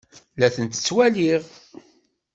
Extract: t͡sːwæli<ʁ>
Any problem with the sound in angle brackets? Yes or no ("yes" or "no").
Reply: no